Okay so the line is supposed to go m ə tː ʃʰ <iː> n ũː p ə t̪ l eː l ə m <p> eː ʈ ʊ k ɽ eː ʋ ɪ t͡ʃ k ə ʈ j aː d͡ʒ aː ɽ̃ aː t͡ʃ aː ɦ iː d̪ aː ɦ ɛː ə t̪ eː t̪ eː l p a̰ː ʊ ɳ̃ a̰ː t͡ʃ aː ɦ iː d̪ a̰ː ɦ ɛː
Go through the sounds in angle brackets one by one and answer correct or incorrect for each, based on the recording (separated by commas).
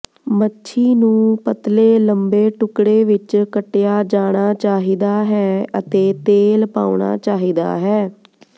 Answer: correct, incorrect